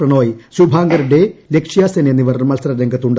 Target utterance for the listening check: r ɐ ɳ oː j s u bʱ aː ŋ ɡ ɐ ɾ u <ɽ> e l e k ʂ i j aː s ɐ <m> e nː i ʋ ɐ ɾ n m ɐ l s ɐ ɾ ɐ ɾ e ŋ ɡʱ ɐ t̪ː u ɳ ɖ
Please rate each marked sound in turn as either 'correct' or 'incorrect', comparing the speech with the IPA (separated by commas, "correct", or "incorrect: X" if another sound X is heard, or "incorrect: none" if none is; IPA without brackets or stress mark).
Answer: correct, incorrect: n